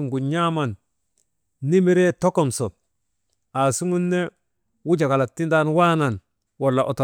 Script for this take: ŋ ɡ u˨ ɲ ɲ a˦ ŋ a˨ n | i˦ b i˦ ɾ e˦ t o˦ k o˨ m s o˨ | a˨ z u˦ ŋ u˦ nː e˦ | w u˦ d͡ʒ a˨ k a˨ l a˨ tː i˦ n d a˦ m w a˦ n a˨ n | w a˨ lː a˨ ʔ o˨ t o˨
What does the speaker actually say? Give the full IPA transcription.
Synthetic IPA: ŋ ɡ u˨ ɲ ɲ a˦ m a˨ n | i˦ m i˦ ɾ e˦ t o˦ k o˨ m s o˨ | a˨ s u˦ ŋ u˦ nː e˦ | w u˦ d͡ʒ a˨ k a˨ l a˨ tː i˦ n d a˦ n w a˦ n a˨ n | w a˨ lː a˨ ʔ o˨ t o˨